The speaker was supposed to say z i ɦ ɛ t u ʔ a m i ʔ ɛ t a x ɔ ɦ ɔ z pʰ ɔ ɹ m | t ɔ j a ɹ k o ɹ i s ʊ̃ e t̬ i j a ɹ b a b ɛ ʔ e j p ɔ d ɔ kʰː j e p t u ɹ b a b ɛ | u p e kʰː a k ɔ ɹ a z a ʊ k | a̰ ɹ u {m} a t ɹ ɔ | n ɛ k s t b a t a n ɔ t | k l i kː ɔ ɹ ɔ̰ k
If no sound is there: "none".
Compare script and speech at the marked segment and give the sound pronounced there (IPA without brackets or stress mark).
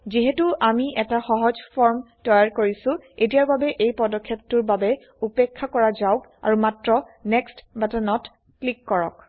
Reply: m